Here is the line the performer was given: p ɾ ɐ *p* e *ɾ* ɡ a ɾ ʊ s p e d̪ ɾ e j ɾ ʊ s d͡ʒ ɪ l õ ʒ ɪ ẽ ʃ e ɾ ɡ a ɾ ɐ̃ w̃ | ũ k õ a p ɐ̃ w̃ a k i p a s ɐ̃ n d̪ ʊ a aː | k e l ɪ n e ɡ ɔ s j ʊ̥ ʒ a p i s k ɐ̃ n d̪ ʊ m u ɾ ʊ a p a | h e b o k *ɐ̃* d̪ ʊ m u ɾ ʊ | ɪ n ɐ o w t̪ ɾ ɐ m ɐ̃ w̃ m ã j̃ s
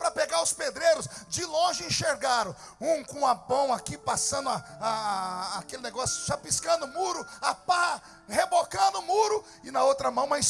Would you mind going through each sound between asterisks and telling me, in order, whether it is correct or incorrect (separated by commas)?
correct, incorrect, correct